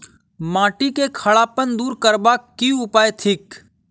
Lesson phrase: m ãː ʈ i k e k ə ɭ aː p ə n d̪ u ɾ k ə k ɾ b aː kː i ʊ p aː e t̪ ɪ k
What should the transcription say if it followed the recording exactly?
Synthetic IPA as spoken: m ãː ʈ i k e kʰ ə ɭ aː p ə n d̪ uː ɾ k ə ɾ b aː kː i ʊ p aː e t̪ʰ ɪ k